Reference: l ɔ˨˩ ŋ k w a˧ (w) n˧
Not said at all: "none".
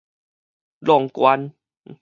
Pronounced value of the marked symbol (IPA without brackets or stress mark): none